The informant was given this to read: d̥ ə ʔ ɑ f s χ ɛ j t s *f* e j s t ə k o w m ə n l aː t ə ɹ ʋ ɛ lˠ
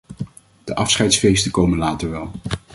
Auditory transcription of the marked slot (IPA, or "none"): f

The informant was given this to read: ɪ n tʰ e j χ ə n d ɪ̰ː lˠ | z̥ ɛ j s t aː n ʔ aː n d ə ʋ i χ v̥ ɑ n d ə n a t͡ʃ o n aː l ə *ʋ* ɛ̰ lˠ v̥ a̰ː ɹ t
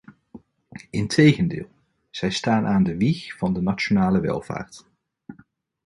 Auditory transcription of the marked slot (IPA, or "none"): ʋ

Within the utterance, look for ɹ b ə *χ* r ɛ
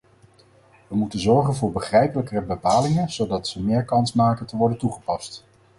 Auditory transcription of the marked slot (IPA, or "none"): χ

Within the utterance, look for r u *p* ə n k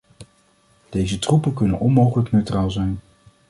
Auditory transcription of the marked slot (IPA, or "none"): p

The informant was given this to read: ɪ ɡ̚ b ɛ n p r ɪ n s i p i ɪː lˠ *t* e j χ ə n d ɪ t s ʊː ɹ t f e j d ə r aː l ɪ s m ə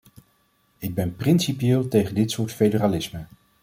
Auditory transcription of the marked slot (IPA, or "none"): t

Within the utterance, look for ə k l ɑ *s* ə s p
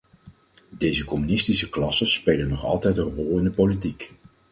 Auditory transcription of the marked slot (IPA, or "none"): s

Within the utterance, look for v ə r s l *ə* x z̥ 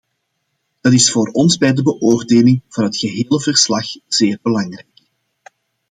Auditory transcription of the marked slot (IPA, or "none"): ɑ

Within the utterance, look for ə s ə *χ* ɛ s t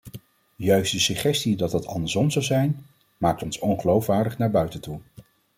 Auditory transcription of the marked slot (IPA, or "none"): χ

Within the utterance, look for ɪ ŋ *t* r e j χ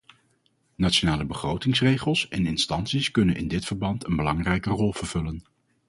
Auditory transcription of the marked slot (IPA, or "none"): s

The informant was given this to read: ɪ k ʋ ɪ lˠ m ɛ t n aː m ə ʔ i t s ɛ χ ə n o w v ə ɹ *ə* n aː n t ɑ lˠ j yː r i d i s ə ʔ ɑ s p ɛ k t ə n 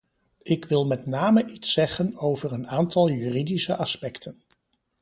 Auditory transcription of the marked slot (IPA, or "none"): ə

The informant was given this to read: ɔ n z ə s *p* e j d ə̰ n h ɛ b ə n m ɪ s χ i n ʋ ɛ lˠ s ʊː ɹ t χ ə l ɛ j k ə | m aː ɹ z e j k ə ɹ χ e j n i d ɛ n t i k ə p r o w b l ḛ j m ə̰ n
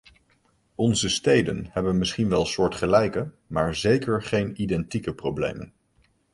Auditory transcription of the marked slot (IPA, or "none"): t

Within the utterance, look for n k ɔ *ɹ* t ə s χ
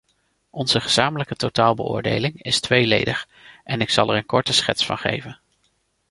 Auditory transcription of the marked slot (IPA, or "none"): ɹ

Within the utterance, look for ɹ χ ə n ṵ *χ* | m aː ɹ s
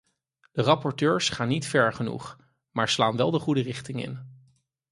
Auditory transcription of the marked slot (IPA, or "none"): χ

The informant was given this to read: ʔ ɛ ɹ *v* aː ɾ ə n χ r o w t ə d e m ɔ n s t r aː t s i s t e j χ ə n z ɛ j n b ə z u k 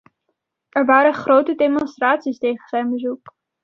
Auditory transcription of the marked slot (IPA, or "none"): ʋ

